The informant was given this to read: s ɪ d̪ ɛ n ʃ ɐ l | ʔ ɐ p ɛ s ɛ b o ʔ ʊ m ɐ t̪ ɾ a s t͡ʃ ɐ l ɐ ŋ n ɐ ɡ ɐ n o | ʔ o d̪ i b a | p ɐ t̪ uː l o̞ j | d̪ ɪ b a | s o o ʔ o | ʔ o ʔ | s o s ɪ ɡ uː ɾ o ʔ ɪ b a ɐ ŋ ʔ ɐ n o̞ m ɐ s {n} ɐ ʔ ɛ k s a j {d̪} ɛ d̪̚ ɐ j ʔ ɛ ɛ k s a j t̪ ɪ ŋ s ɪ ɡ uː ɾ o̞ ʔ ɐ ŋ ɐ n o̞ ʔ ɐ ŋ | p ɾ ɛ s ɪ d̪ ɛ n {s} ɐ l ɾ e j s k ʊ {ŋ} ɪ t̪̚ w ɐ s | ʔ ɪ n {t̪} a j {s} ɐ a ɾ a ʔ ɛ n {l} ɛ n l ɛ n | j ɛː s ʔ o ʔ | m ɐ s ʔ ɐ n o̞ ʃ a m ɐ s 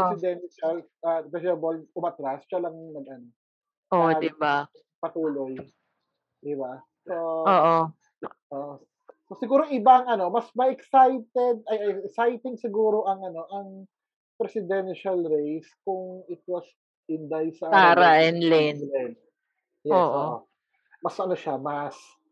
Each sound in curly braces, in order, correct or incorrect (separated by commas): incorrect, incorrect, incorrect, correct, incorrect, correct, correct